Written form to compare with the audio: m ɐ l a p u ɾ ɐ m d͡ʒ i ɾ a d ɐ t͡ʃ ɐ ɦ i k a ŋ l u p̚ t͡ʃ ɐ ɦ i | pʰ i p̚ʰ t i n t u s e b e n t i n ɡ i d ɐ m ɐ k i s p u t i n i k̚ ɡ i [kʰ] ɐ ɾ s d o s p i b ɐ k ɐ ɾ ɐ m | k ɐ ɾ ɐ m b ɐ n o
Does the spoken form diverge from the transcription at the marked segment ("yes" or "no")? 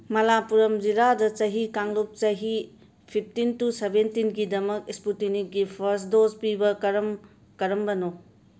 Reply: yes